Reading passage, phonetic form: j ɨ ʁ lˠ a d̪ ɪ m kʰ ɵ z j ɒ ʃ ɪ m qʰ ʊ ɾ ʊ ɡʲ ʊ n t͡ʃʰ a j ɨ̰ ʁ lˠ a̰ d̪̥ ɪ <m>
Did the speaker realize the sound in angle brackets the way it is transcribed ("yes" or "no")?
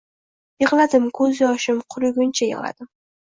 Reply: yes